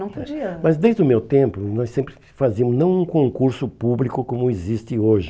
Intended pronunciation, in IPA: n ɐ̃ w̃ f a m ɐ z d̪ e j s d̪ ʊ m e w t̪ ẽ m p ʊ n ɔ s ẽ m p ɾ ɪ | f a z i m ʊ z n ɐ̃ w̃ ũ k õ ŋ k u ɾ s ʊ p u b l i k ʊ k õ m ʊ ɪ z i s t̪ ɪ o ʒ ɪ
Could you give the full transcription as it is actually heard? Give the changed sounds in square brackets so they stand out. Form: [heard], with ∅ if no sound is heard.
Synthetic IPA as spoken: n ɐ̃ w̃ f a m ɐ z d̪ e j [z] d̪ ʊ m e w t̪ ẽ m p ʊ n ɔ s ẽ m p ɾ ɪ | f a z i m ʊ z n ɐ̃ w̃ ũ k õ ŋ k u ɾ s ʊ p u b l i k ʊ k õ m ʊ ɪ z i s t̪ ɪ o ʒ ɪ